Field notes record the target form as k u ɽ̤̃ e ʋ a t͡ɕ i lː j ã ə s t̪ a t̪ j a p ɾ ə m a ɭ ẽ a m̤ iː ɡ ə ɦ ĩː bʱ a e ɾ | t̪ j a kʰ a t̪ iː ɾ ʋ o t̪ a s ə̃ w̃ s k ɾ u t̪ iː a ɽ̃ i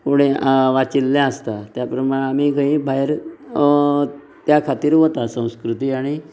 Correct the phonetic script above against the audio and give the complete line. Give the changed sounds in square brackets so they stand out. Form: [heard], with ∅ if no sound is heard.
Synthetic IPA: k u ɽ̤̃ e ʋ a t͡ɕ i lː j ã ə s t̪ a t̪ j a p ɾ ə m a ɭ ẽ a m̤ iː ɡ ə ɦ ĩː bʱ a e ɾ | t̪ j a kʰ a t̪ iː ɾ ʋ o t̪ a s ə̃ w̃ s k ɾ u t̪ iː a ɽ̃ i